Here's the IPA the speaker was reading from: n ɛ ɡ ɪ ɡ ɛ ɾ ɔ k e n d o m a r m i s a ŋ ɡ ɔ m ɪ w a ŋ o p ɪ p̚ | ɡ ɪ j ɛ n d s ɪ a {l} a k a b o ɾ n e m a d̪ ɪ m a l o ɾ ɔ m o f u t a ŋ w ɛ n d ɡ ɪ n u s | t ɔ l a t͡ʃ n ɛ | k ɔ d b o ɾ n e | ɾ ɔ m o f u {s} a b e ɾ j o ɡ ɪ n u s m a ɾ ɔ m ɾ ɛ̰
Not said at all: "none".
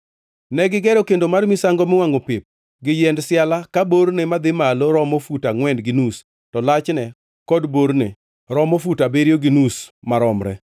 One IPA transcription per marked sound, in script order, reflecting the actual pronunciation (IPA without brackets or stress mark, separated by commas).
l, t